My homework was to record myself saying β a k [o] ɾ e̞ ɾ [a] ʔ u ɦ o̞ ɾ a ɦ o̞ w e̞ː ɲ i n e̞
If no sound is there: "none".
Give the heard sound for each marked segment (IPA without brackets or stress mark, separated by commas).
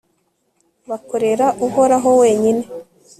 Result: o, a